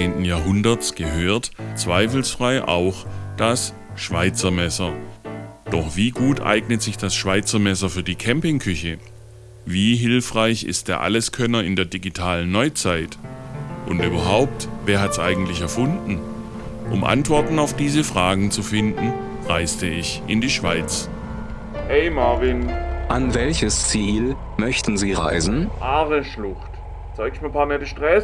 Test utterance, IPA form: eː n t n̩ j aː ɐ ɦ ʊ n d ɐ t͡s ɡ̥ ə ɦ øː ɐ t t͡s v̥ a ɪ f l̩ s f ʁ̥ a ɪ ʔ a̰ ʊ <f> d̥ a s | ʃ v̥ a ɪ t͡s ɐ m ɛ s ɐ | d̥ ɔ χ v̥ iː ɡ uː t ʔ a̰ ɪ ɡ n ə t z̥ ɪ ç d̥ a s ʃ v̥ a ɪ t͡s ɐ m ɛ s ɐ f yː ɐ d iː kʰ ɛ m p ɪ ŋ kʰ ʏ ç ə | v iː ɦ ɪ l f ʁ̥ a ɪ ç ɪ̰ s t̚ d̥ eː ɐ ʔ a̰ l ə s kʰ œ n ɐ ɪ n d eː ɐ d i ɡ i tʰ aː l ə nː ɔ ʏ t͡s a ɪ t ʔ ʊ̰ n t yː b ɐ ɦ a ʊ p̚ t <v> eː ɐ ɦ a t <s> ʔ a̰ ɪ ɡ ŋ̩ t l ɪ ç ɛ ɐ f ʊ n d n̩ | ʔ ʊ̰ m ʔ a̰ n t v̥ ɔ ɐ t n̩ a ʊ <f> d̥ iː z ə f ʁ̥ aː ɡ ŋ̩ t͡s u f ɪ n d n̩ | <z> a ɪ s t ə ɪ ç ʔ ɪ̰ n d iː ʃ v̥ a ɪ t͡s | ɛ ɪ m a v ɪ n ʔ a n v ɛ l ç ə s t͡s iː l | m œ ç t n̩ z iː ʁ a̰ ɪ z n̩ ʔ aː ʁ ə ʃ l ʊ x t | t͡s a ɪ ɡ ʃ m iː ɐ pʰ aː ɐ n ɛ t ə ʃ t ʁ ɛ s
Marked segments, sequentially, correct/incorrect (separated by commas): incorrect, correct, correct, correct, incorrect